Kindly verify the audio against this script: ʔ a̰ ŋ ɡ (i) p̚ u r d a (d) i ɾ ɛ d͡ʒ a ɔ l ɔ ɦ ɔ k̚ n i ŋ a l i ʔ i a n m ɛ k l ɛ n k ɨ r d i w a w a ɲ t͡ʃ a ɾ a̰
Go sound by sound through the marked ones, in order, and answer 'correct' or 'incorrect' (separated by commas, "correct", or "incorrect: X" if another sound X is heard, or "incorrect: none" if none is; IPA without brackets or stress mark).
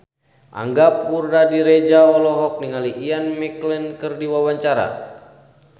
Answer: incorrect: a, correct